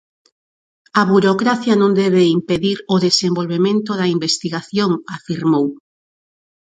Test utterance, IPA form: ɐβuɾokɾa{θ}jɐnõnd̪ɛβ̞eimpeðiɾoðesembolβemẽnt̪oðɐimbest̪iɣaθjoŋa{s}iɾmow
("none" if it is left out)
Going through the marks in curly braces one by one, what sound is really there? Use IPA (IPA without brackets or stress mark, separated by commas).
θ, f